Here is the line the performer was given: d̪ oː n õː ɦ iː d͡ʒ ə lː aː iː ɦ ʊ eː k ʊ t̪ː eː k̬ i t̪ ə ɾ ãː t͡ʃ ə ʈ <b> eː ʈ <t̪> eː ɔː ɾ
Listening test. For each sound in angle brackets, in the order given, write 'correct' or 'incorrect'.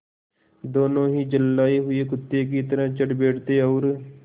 correct, correct

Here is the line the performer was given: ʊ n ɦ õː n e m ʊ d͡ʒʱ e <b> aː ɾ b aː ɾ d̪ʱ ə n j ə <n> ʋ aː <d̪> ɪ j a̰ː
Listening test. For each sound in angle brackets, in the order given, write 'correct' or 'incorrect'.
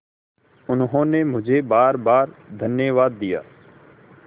correct, incorrect, incorrect

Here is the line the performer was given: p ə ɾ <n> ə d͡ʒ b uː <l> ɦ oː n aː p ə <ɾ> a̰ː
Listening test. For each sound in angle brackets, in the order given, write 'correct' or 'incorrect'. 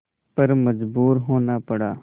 incorrect, incorrect, incorrect

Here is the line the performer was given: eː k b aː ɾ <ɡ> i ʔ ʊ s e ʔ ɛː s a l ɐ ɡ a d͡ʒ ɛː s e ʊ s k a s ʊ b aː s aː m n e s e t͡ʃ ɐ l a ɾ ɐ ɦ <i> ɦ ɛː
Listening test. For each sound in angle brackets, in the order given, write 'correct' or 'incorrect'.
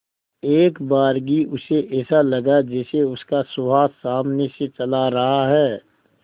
correct, incorrect

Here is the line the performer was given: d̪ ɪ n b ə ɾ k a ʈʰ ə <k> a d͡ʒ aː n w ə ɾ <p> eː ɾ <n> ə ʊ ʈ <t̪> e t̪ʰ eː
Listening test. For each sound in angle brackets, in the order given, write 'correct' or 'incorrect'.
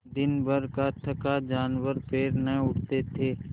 correct, correct, correct, correct

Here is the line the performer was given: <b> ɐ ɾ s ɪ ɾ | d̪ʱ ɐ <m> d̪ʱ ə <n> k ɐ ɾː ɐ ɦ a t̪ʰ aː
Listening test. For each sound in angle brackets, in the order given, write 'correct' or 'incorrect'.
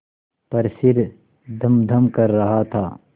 incorrect, correct, incorrect

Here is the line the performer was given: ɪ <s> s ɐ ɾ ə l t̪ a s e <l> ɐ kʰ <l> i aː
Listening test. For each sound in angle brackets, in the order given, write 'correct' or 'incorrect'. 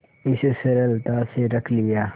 correct, incorrect, correct

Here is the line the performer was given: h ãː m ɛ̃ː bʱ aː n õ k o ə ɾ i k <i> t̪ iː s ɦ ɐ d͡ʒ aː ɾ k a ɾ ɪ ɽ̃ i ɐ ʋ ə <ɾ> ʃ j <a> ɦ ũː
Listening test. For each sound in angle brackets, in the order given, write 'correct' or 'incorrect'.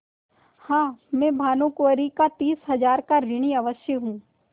incorrect, incorrect, incorrect

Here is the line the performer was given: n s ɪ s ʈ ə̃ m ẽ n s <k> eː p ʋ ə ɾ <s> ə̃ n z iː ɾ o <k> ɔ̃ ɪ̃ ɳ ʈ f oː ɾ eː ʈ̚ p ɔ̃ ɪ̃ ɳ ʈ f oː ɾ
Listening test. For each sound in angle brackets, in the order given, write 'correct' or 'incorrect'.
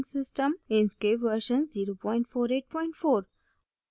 correct, incorrect, incorrect

